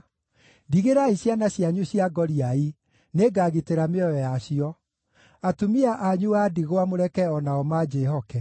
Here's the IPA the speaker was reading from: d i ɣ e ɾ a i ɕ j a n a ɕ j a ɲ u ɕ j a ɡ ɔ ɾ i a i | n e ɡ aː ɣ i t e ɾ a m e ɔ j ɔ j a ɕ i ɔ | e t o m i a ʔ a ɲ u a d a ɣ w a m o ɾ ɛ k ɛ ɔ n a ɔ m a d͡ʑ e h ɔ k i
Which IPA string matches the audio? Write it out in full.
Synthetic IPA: d i ɣ e ɾ a i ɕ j a n a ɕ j a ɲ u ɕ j a ɡ ɔ ɾ i a i | n e ɡ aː ɣ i t e ɾ a m e ɔ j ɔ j a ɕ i ɔ | a t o m i a ʔ a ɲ u a d i ɣ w a m o ɾ ɛ k ɛ ɔ n a ɔ m a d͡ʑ e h ɔ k ɛ